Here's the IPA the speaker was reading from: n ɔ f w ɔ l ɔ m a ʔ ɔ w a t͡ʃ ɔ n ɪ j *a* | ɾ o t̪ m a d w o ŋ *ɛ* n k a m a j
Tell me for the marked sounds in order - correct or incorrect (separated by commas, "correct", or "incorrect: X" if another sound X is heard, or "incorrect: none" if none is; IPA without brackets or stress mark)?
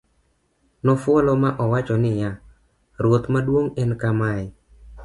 correct, correct